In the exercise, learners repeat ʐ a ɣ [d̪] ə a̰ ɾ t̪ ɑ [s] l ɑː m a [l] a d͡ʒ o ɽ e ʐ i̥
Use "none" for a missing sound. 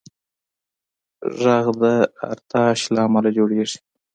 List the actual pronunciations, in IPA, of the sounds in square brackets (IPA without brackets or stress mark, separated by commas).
d̪, ʃ, l